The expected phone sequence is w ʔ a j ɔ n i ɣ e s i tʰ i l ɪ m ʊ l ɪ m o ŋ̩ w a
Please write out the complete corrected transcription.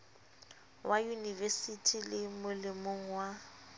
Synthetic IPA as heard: w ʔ a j u n i v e s i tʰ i l ɪ m ʊ l ɪ m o ŋ̩ w a